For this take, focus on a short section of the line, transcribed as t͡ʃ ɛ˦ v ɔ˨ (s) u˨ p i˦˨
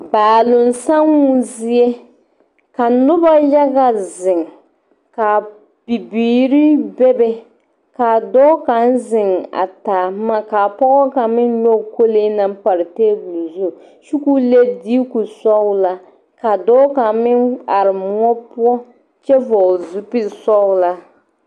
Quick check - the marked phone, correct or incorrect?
incorrect